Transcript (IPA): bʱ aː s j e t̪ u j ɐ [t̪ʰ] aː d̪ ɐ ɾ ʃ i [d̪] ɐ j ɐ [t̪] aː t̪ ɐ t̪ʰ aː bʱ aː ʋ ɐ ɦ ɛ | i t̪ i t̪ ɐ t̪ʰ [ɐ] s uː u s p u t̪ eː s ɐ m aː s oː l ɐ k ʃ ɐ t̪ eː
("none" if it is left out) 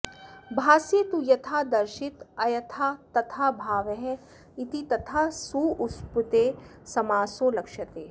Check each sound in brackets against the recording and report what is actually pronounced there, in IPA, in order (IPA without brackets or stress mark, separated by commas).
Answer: t̪ʰ, t̪, t̪ʰ, a